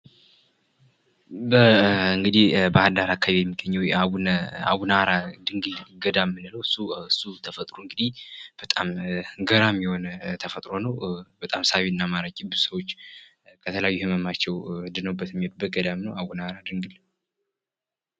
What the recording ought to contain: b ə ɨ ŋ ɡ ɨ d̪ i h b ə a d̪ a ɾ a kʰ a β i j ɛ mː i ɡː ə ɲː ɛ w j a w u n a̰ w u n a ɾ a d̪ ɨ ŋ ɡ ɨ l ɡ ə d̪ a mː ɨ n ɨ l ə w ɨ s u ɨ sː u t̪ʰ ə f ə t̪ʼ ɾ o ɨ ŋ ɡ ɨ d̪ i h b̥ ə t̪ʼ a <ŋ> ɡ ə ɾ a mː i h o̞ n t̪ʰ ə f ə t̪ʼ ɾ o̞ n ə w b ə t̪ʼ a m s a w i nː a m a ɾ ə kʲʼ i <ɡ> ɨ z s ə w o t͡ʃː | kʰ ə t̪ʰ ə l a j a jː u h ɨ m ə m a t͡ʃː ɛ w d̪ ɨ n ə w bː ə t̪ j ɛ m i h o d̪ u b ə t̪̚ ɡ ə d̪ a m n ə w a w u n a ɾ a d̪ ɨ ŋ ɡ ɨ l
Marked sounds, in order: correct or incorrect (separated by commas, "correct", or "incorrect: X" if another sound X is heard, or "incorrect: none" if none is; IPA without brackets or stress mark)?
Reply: incorrect: m, incorrect: b